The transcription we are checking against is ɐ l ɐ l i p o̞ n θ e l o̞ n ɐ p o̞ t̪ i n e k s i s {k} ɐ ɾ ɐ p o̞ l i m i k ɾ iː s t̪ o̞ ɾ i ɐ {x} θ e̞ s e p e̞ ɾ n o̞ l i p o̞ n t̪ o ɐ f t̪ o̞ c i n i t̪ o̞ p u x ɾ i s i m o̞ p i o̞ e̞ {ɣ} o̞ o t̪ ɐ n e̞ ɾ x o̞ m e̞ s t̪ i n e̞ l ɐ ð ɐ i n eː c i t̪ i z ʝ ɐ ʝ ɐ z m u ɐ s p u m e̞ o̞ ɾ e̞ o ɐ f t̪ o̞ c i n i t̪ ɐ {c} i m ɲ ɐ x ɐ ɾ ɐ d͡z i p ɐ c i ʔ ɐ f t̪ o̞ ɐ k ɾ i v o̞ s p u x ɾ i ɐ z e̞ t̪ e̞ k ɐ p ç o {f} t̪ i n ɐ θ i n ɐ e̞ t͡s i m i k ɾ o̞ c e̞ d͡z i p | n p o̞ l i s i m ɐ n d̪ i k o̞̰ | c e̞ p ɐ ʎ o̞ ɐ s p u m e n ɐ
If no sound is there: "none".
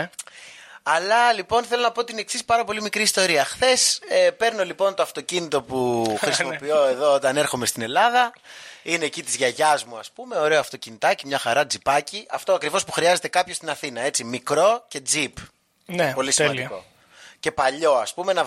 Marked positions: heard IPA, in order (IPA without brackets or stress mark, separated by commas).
p, x, ð, c, s